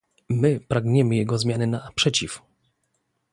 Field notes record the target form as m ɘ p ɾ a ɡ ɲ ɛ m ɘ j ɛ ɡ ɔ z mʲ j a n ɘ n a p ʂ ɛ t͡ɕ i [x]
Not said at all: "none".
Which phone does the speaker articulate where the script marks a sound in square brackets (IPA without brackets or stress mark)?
f